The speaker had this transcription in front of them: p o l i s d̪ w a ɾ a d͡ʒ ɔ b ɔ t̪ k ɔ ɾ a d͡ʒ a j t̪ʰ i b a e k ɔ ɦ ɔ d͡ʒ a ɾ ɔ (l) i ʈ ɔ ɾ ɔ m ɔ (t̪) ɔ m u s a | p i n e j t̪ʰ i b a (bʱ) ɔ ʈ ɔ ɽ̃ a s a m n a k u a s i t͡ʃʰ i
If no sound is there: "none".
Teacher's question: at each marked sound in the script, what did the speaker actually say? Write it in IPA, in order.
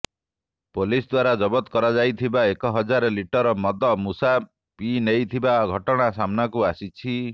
l, d̪, ɡʱ

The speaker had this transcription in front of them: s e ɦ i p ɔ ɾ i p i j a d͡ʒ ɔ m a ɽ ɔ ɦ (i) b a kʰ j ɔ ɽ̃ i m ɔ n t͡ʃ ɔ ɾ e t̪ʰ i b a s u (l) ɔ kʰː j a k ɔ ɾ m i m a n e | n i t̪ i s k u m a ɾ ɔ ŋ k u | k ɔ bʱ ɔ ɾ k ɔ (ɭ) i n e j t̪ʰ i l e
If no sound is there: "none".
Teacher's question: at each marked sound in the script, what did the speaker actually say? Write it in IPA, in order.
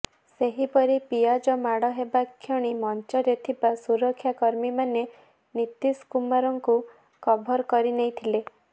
e, ɾ, ɾ

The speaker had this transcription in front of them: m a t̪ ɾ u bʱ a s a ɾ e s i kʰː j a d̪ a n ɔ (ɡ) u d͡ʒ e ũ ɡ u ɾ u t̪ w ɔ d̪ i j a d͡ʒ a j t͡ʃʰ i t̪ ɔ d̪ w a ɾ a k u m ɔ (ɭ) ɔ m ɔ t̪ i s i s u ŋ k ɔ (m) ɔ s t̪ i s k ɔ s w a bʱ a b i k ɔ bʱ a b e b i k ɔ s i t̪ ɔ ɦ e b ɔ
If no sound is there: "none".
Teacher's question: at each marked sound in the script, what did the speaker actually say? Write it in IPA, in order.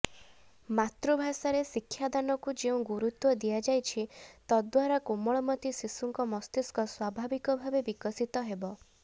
k, ɭ, m

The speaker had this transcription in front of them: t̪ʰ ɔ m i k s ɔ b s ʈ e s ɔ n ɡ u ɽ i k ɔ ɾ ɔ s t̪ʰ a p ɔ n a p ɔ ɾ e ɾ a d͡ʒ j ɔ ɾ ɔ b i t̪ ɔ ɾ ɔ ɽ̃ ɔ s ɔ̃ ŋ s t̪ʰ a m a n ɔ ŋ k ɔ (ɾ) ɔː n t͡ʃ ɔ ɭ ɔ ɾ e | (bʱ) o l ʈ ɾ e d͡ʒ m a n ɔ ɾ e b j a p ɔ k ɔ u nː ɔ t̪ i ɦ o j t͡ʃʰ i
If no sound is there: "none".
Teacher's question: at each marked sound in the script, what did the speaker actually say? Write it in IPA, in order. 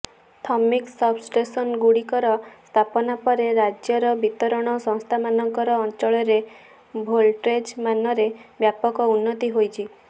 ɾ, bʱ

